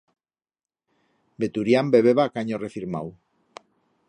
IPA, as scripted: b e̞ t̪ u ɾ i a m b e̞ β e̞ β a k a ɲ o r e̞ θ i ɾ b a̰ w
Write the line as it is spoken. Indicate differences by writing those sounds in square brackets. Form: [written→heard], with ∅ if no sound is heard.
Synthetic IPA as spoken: b e̞ t̪ u ɾ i a m b e̞ β e̞ β a k a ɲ o r e̞ [θ→f] i ɾ [b→m] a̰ w